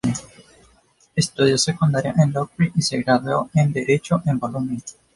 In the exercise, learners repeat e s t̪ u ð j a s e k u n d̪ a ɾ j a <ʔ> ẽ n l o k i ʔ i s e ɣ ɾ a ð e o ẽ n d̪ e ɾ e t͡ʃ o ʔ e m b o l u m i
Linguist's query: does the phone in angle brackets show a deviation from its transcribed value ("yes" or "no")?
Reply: no